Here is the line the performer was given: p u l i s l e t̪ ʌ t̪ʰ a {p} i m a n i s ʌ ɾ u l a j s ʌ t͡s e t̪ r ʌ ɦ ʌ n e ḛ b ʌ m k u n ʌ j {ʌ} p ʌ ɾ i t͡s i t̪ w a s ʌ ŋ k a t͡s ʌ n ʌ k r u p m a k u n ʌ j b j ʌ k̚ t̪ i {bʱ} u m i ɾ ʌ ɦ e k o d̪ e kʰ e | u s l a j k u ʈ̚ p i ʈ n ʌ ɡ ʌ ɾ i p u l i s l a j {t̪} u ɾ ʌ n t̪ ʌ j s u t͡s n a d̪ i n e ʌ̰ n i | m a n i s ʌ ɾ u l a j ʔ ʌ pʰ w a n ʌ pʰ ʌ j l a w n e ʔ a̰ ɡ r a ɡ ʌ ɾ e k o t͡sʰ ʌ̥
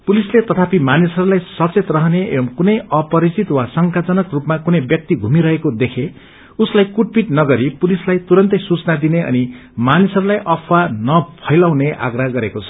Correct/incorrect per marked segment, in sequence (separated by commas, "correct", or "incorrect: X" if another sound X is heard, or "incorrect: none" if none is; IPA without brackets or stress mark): correct, correct, incorrect: ɡʱ, correct